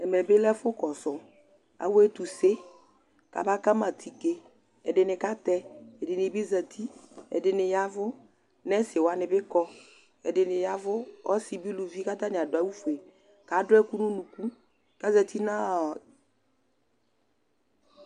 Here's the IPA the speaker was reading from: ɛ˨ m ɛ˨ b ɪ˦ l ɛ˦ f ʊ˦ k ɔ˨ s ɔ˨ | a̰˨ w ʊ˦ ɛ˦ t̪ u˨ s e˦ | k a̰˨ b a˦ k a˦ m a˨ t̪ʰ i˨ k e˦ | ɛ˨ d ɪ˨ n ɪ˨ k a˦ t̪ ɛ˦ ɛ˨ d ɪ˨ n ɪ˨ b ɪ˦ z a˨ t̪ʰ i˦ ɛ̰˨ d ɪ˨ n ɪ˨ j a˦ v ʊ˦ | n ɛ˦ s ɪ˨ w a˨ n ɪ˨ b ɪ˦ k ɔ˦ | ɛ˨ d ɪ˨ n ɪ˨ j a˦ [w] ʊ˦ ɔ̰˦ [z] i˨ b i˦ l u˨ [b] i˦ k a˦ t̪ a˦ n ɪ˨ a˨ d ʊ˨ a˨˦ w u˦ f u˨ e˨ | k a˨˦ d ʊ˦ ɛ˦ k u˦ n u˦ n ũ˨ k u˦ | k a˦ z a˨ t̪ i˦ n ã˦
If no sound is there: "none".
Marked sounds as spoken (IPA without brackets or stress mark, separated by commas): v, s, v